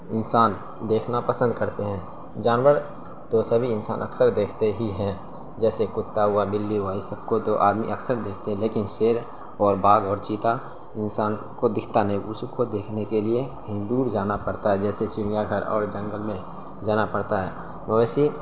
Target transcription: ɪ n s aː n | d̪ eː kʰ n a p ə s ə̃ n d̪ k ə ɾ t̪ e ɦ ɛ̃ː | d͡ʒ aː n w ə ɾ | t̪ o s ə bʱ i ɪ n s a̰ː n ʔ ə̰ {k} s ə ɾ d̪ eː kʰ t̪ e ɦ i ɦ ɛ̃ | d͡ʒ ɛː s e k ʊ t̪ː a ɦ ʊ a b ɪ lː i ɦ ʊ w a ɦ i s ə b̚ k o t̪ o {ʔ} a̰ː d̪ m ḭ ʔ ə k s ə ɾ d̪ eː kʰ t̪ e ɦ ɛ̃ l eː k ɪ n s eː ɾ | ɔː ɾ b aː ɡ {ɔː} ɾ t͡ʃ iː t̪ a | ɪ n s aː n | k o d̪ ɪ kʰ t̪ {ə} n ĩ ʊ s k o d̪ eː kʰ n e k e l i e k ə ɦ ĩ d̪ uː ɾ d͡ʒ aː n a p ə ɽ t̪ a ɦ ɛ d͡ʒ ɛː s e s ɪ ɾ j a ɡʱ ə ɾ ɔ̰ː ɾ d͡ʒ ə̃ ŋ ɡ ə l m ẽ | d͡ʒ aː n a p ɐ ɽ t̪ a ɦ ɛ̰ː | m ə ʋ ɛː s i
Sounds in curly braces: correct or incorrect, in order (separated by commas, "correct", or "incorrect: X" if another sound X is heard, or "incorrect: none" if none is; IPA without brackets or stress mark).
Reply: correct, correct, correct, incorrect: a